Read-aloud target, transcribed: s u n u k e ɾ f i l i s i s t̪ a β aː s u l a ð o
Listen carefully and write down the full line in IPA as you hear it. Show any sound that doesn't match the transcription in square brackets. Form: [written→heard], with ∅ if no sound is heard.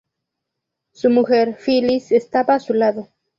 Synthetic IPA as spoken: s u [n→m] u [k→x] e ɾ f i l i s [i→e] s t̪ a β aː s u l a ð o